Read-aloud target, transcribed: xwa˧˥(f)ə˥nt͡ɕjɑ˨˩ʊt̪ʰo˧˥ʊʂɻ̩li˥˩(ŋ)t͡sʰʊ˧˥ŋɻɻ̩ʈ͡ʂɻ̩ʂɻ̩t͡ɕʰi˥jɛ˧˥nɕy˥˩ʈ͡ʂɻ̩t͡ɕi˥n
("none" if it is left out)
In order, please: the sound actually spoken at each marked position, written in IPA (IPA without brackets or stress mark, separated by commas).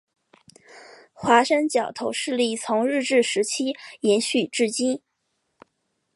ʂ, none